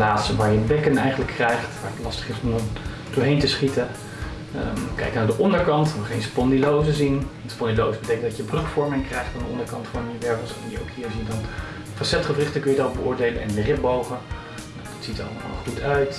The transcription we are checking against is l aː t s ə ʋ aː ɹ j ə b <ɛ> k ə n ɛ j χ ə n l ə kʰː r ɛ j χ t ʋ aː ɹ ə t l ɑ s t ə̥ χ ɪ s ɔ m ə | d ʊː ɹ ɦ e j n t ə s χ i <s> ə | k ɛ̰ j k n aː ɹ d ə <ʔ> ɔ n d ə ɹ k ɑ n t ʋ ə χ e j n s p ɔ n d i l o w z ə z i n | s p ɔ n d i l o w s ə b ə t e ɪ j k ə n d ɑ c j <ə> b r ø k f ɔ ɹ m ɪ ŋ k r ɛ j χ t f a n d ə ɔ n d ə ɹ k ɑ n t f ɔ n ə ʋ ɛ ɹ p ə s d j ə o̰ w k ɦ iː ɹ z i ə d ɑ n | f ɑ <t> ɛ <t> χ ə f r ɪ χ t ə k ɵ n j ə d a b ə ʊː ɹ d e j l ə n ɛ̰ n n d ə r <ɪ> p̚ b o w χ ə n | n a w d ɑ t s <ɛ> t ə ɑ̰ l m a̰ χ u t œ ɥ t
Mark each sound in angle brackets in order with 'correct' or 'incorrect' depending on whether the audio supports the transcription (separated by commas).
correct, incorrect, correct, correct, incorrect, correct, correct, incorrect